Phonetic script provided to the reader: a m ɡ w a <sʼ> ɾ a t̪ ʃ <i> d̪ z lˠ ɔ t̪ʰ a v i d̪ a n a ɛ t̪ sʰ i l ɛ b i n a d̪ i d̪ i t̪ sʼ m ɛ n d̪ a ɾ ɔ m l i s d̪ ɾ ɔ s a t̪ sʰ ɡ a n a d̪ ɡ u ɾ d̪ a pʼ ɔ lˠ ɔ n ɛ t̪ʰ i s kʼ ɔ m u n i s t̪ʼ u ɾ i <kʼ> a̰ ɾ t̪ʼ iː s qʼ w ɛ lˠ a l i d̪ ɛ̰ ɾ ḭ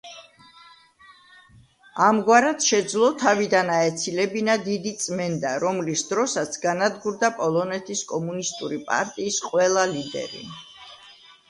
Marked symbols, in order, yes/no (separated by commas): no, no, no